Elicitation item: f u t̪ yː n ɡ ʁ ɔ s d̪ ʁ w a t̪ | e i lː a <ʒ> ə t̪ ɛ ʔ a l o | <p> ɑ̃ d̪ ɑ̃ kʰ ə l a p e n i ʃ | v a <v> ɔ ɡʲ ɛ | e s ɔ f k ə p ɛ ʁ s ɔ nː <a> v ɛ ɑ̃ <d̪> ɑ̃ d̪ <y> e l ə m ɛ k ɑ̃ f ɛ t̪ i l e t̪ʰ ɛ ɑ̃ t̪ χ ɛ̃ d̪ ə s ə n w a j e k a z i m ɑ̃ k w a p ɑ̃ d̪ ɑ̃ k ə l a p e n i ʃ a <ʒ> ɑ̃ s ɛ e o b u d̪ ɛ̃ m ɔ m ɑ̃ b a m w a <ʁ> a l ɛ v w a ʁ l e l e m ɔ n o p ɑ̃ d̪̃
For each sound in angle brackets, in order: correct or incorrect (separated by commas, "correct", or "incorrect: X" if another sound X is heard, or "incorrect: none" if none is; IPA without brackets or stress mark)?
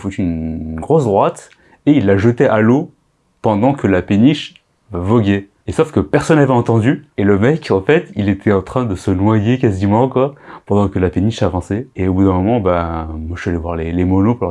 correct, correct, correct, correct, incorrect: t̪, correct, incorrect: v, incorrect: ʒ